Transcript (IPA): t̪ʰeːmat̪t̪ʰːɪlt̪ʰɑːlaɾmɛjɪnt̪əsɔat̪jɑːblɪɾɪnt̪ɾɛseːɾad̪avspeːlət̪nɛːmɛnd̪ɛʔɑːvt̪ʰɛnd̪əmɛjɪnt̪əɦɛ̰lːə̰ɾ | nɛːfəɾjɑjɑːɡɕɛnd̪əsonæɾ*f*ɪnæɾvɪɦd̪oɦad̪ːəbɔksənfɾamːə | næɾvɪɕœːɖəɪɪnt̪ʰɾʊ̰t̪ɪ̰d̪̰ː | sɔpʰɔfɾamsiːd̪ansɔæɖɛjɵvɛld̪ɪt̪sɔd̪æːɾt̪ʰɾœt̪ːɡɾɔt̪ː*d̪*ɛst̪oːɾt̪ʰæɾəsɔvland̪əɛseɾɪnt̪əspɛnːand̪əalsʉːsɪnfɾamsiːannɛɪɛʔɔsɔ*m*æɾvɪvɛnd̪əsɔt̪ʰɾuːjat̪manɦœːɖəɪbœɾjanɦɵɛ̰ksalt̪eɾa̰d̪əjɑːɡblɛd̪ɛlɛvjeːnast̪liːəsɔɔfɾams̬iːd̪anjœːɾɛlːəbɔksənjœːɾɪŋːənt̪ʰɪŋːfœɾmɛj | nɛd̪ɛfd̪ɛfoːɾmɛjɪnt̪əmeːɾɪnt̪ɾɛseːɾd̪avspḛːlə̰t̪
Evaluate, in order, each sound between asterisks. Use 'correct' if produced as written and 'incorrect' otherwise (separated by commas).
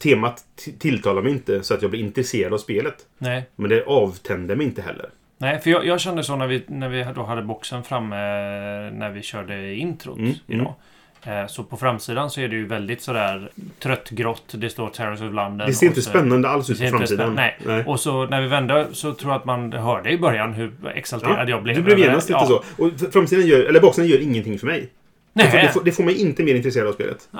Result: incorrect, correct, incorrect